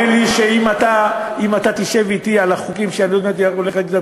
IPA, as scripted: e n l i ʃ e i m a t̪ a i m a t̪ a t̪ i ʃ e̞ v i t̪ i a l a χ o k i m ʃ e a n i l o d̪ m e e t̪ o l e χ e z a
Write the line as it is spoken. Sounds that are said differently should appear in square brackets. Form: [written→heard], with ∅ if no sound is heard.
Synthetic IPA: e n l i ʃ e i m a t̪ a i m a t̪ a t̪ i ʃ e̞ v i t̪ i a l a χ [o→u] k i m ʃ e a n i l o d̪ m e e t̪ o l e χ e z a

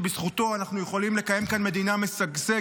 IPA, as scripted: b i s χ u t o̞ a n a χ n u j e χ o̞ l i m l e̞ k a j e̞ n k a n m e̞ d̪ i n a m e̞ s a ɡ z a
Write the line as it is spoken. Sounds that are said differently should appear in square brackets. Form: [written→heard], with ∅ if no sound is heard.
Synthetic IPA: b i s χ u t o̞ a n a χ n u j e χ o̞ l i m l e̞ k a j e̞ [n→m] k a n m e̞ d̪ i n a m e̞ s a ɡ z [a→e]

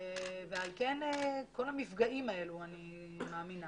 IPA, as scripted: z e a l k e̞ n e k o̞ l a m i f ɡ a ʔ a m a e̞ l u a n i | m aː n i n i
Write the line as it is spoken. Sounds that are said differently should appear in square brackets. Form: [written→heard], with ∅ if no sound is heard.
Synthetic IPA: [z→v] e a l k e̞ n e k o̞ l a m i f ɡ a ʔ [a→i] m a e̞ l u a n i | m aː [n→m] i n [i→a]

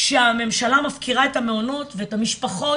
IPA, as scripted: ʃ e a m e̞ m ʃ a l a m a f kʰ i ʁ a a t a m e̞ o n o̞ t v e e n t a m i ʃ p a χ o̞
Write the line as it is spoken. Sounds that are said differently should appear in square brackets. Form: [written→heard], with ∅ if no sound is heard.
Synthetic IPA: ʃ e a m e̞ m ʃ a l a m a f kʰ i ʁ a [a→e] t a m e̞ o n o̞ t v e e [n→∅] t a m i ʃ p a χ o̞

